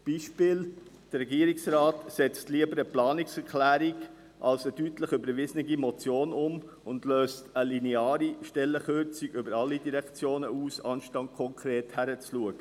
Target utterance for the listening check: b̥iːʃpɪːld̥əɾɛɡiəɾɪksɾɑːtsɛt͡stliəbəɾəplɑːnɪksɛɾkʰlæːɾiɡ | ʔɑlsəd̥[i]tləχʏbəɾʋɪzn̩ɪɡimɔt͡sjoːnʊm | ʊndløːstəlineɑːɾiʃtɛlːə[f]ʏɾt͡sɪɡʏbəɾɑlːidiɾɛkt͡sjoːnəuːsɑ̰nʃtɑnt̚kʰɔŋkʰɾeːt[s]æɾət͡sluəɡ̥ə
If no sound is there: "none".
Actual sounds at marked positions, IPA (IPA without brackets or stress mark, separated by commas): y, χ, h